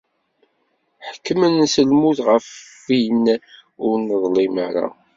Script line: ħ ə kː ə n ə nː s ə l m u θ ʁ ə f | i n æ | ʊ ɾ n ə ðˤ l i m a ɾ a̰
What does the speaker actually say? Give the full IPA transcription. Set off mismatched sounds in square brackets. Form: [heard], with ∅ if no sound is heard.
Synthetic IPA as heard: ħ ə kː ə [m] ə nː s ə l m u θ ʁ ə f | i n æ | ʊ ɾ n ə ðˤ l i m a ɾ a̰

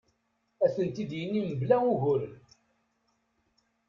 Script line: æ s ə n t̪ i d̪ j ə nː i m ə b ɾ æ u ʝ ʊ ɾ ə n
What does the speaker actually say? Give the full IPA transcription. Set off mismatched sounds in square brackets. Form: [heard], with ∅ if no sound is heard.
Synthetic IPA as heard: æ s ə n t̪ i d̪ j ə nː i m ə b [l] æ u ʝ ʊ ɾ ə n

